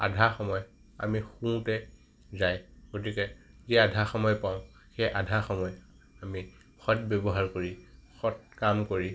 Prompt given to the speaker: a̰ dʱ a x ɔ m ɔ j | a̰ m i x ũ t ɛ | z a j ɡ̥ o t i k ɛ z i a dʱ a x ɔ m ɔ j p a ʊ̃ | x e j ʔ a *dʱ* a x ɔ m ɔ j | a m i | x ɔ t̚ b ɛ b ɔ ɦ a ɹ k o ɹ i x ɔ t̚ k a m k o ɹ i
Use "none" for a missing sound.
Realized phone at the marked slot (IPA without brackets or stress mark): dʱ